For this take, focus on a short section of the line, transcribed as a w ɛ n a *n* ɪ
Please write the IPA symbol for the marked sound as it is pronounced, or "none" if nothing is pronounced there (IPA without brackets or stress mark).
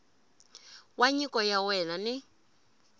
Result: n